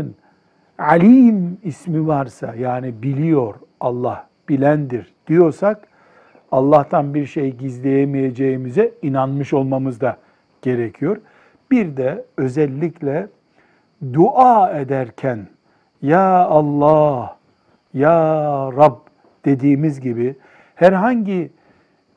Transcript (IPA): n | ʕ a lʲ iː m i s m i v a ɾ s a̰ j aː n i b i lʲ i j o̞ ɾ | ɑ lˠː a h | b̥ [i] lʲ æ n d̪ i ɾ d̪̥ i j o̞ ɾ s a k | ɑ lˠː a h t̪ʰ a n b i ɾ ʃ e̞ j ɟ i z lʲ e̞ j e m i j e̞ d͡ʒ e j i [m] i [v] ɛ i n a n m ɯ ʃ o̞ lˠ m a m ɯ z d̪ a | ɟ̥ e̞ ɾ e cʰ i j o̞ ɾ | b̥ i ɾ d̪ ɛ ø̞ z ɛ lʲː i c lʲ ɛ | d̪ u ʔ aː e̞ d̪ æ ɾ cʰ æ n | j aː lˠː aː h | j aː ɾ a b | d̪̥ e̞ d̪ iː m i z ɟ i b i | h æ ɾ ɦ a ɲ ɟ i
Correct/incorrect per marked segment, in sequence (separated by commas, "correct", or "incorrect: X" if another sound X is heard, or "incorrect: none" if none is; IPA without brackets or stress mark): correct, correct, incorrect: z